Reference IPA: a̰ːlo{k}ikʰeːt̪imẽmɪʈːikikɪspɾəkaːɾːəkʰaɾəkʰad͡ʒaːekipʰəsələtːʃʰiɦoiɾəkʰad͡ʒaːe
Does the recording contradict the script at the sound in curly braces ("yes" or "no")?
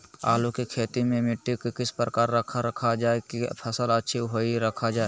no